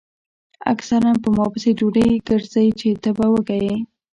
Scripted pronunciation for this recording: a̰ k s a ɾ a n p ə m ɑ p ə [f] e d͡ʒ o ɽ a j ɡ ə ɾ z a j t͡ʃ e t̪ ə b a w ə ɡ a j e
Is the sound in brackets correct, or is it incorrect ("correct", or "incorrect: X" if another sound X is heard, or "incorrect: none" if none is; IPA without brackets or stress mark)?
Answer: incorrect: s